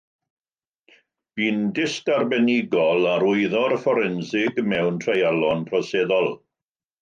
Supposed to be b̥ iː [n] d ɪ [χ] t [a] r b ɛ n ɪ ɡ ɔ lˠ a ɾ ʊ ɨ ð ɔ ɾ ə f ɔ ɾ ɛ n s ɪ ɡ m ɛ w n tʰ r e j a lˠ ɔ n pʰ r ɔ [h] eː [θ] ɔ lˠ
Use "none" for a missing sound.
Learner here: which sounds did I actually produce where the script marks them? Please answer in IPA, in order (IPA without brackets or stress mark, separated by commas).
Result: n, s, a, s, ð